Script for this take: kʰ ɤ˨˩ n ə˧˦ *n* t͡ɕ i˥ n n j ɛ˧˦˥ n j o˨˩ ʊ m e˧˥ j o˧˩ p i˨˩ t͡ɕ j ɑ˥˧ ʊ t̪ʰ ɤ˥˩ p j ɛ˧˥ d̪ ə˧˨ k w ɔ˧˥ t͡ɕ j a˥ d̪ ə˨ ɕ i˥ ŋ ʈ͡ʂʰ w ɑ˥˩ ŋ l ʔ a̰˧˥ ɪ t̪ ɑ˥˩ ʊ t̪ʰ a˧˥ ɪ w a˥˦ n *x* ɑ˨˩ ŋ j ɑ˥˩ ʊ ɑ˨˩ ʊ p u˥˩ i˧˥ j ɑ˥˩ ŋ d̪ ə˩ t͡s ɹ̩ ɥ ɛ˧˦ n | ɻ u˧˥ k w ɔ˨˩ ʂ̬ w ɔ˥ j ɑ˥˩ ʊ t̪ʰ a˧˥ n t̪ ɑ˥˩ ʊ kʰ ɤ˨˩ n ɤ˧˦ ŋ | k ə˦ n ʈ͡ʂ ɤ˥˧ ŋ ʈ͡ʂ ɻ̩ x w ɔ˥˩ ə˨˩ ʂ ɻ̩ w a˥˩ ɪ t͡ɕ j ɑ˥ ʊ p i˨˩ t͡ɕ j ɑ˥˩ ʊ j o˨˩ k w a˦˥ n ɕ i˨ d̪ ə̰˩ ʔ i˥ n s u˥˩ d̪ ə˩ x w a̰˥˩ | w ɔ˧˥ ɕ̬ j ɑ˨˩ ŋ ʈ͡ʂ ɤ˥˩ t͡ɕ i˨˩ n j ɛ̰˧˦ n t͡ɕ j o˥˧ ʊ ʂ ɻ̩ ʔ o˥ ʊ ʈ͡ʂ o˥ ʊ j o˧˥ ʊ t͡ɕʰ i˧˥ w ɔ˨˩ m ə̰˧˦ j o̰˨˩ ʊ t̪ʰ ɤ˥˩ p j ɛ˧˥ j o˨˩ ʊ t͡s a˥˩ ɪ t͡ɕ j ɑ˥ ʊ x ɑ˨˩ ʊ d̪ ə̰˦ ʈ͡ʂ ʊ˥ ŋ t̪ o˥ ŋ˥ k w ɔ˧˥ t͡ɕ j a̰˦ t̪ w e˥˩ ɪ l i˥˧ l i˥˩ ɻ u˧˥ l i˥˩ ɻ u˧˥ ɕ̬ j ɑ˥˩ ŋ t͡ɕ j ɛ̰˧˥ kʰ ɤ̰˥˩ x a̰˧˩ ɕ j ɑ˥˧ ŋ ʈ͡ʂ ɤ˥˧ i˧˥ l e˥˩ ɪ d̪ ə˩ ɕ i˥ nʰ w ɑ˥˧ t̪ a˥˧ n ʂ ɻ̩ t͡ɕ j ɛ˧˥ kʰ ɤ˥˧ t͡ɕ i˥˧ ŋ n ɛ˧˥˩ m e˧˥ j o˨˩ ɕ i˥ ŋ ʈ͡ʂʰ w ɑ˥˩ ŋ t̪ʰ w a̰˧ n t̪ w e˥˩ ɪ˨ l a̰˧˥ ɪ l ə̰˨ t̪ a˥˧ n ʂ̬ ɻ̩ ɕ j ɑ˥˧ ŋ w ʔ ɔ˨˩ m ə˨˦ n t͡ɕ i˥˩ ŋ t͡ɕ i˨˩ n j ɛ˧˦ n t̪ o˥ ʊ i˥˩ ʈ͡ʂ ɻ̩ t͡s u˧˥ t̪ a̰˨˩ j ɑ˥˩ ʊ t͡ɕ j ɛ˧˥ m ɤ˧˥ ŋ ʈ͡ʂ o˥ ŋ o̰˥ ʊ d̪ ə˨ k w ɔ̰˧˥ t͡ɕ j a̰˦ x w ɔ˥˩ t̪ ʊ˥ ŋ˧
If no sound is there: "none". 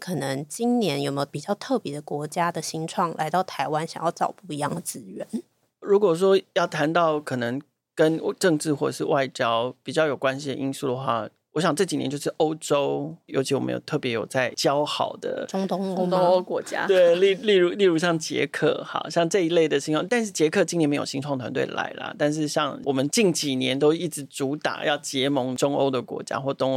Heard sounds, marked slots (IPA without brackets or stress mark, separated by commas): ŋ, ɕ